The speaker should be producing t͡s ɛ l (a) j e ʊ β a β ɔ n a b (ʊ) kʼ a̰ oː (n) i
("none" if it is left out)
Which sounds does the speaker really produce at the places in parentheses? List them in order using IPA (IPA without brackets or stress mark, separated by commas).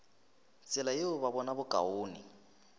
a, ʊ, n